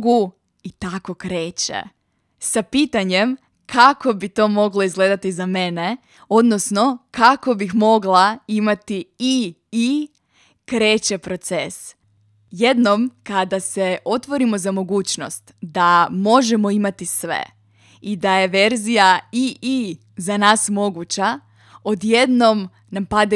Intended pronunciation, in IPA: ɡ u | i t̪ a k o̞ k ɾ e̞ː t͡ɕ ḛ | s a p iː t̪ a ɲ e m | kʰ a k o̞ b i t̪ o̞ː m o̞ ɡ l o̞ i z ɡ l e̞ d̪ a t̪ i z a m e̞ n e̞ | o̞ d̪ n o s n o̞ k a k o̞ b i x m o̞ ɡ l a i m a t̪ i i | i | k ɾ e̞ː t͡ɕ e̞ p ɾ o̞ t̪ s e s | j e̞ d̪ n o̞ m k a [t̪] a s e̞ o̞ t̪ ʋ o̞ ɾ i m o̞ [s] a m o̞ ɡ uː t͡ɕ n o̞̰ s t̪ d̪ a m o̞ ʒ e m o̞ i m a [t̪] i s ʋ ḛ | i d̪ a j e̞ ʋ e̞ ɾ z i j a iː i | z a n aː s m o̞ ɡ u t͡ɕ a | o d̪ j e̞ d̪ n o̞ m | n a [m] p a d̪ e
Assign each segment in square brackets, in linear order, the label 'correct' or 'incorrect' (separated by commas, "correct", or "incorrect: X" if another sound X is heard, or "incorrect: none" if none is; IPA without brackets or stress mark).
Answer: incorrect: d̪, incorrect: z, correct, correct